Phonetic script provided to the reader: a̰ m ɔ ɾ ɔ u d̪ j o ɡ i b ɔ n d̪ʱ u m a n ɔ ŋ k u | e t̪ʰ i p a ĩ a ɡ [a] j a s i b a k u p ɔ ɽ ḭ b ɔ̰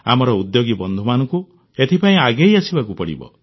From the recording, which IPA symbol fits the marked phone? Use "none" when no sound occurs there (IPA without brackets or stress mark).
e